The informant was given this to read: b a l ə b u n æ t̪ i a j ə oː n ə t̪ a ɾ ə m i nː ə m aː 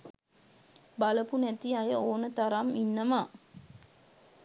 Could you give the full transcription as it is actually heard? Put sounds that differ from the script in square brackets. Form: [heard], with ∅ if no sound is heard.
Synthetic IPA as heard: b a l ə [p] u n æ t̪ i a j ə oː n ə t̪ a ɾ [a] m i nː ə m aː